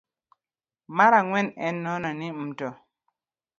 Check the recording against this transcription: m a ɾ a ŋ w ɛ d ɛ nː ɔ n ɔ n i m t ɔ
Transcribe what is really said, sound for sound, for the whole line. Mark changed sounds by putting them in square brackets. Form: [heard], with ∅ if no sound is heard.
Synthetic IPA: m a ɾ a ŋ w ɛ [n] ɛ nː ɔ n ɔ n i m t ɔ